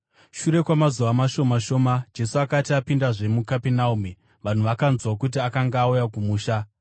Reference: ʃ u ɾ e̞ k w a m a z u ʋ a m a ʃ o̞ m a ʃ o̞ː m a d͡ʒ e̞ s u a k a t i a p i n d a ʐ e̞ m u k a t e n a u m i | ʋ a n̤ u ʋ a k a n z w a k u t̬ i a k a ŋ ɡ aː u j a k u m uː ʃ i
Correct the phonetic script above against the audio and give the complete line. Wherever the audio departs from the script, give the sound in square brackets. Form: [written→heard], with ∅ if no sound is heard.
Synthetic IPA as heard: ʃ u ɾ e̞ k w a m a z u ʋ a m a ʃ o̞ m a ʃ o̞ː m a d͡ʒ e̞ s u a k a t i a p i n d a ʐ e̞ m u k a [t→p] e n a u m i | ʋ a n̤ u ʋ a k a n z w a k u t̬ i a k a ŋ ɡ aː u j a k u m uː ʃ [i→a]